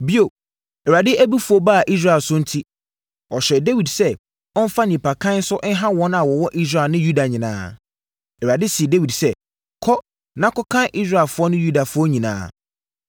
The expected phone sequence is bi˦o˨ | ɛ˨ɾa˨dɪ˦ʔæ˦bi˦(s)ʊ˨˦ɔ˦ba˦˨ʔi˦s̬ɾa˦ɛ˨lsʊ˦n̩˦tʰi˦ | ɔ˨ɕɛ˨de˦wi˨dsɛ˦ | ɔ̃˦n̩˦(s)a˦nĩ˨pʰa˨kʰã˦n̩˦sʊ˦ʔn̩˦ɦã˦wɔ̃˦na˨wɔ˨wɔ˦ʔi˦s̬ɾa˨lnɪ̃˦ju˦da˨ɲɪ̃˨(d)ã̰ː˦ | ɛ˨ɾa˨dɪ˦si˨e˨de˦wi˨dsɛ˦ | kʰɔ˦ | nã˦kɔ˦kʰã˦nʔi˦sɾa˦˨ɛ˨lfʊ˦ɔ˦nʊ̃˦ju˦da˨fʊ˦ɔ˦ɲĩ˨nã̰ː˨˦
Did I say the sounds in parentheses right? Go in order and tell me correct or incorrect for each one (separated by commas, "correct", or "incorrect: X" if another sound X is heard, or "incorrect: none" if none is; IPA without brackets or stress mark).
incorrect: f, incorrect: f, incorrect: n